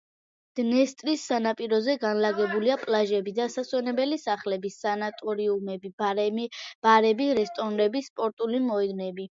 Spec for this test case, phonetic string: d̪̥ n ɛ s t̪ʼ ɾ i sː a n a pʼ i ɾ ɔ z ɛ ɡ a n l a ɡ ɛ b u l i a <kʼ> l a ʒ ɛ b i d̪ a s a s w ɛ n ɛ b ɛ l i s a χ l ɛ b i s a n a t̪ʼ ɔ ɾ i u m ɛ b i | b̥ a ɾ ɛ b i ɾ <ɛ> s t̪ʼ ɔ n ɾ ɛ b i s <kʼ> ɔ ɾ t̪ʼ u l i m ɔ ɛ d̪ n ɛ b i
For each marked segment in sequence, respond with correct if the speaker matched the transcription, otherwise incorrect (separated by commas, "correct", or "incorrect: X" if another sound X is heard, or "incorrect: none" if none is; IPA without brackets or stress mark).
incorrect: pʼ, correct, incorrect: pʼ